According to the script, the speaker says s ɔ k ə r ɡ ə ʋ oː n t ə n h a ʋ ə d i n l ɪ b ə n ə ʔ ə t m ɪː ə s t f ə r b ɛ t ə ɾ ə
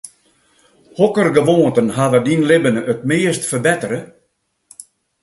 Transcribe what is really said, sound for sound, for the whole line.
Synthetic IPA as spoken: h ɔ k ə r ɡ ə ʋ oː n t ə n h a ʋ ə d i n l ɪ b ə n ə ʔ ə t m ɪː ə s t f ə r b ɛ t ə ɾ ə